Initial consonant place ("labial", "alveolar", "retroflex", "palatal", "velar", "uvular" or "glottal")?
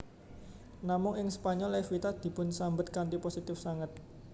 alveolar